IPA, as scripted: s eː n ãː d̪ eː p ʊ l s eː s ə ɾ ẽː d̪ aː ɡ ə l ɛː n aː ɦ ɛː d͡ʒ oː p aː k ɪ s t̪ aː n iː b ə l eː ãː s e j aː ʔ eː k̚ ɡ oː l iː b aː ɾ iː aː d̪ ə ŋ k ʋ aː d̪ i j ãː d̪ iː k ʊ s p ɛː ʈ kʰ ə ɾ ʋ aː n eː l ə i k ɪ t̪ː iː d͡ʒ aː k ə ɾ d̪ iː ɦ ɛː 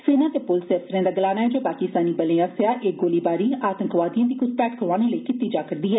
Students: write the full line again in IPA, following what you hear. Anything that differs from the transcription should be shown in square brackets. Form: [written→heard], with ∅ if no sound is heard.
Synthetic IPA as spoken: s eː n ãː [d̪→t̪] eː p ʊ l s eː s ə ɾ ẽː d̪ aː ɡ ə l [ɛː→aː] n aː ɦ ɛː d͡ʒ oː p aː k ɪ s t̪ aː n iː b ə l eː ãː s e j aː ʔ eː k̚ ɡ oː l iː b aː ɾ iː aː [d̪→t̪] ə ŋ k ʋ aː d̪ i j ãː d̪ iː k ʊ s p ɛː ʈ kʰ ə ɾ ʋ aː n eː l ə i k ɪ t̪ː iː d͡ʒ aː k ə ɾ d̪ iː ɦ ɛː